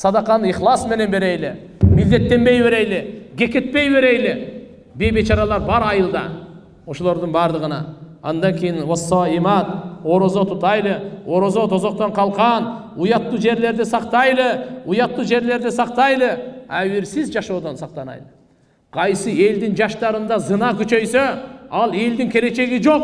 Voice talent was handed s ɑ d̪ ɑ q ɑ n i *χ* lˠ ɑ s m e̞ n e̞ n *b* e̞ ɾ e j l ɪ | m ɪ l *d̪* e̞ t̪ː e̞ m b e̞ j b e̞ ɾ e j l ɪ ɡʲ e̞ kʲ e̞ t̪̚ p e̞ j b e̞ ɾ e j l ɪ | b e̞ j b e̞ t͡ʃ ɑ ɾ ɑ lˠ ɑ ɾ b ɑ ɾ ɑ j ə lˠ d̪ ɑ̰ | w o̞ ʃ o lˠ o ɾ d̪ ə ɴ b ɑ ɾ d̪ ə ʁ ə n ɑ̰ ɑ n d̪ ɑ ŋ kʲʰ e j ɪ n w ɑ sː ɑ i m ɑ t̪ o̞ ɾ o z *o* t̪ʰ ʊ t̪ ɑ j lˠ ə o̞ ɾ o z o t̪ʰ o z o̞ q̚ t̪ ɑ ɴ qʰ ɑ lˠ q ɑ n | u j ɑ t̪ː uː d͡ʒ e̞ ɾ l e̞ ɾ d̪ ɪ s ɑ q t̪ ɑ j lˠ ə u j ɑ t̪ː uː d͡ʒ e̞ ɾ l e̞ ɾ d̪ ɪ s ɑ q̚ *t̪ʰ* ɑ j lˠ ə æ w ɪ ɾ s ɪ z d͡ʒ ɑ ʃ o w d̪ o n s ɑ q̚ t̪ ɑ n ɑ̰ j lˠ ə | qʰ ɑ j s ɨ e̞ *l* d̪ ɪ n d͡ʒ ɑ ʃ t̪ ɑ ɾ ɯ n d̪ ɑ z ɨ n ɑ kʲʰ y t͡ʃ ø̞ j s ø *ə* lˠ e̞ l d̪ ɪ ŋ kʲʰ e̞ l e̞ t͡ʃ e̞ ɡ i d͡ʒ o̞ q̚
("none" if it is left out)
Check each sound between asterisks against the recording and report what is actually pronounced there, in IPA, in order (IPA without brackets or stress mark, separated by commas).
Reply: χ, b, d̪, o, t̪, l, ɑ